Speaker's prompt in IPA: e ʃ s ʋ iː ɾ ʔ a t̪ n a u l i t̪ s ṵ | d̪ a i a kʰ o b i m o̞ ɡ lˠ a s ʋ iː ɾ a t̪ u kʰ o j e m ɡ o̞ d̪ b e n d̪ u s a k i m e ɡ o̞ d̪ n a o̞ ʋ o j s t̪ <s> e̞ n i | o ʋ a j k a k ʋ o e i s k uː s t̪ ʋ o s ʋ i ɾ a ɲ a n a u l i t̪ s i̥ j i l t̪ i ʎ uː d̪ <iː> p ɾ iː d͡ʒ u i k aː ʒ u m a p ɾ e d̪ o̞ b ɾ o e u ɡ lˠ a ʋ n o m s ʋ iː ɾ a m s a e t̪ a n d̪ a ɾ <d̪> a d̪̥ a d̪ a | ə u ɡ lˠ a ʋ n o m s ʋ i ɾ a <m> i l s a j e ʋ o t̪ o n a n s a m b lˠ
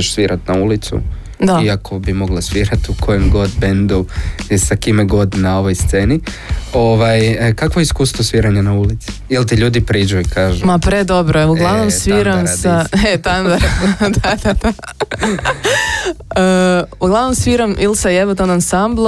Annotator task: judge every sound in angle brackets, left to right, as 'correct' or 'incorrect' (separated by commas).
correct, incorrect, correct, correct